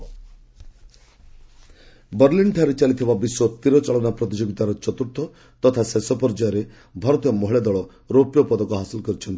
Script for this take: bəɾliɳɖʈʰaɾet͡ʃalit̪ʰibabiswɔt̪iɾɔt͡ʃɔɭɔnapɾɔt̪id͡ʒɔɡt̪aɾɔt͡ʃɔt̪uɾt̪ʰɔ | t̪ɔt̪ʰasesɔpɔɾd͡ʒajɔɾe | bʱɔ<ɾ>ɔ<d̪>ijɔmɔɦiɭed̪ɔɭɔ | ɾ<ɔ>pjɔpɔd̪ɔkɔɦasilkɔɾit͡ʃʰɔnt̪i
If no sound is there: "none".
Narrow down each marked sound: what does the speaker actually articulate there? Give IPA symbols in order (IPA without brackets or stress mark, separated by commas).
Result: ɾ, t̪, o